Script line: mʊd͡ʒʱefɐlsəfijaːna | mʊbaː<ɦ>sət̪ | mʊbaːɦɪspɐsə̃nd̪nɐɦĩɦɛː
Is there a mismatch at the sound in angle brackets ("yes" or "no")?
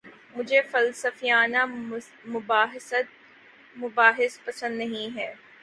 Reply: no